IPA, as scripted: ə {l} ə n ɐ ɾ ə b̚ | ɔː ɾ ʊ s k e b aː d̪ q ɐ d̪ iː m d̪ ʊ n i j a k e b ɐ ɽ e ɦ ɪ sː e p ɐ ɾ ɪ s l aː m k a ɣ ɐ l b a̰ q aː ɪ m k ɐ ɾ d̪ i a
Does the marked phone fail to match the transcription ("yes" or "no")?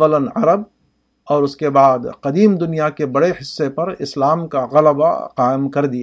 no